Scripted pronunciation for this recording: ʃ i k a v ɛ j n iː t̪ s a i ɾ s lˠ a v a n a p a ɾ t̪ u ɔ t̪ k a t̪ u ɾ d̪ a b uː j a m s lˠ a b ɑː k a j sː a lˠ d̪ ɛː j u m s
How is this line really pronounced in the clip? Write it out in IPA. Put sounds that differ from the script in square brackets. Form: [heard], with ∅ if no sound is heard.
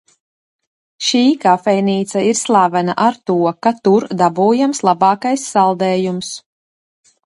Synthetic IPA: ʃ [iː] k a [f] ɛ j n iː t̪ s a i ɾ s lˠ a v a n a [ʔ] a ɾ t̪ u ɔ [∅] k a t̪ u ɾ d̪ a b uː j a m s lˠ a b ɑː k a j sː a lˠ d̪ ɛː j u m s